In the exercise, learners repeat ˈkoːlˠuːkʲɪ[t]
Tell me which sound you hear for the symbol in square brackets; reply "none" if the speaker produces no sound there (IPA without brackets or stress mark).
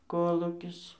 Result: s